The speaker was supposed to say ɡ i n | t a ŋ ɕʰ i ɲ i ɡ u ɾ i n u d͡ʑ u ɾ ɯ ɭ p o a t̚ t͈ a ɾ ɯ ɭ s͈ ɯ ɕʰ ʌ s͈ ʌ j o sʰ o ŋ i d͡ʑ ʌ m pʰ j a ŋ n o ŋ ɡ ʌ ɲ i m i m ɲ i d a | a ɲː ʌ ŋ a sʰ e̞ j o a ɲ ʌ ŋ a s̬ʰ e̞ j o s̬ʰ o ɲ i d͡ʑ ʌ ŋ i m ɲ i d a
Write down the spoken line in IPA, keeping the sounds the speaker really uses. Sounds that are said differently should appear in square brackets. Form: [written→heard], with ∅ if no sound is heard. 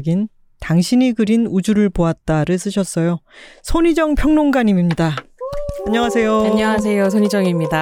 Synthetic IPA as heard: ɡ i n | t a ŋ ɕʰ i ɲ i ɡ [u→ɯ] ɾ i n u d͡ʑ u ɾ ɯ ɭ p o a t̚ t͈ a ɾ ɯ ɭ s͈ ɯ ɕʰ ʌ s͈ ʌ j o sʰ o [ŋ→ɲ] i d͡ʑ ʌ [m→ŋ] pʰ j [a→ʌ] ŋ n o ŋ ɡ [ʌ→a] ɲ i m i m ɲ i d a | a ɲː ʌ ŋ a sʰ e̞ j o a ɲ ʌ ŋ a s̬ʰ e̞ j o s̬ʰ o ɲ i d͡ʑ ʌ ŋ i m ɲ i d a